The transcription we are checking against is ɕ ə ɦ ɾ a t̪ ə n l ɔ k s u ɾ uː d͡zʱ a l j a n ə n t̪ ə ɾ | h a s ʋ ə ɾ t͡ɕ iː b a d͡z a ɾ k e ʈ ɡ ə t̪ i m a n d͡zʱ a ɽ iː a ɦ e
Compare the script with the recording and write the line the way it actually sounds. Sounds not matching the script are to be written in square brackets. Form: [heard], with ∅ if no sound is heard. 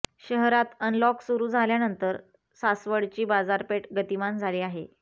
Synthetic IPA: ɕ ə ɦ ɾ a t̪ ə n l ɔ k s u ɾ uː d͡zʱ a l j a n ə n t̪ ə ɾ | [s] a s ʋ ə [ɽ] t͡ɕ iː b a d͡z a ɾ [p] e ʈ ɡ ə t̪ i m a n d͡zʱ a [l] iː a ɦ e